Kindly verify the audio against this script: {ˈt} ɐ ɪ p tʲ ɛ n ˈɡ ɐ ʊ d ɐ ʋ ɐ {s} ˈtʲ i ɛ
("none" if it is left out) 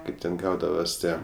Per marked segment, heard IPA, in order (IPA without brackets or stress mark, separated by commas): k, s